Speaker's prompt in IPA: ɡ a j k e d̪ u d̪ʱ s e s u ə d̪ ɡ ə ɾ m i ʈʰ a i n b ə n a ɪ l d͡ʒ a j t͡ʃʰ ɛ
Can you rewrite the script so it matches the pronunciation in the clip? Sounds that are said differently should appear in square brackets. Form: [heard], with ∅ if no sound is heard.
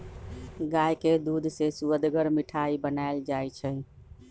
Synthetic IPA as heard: ɡ a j k e d̪ u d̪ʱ s e s u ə d̪ ɡ ə ɾ m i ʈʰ a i [∅] b ə n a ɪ l d͡ʒ a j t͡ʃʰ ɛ